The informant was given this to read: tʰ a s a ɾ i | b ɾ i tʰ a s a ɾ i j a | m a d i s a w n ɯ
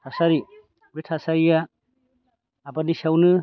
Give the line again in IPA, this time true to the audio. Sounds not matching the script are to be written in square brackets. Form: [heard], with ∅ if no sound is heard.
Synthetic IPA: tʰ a s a ɾ i | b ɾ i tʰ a s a ɾ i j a | [b] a [n] i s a w n ɯ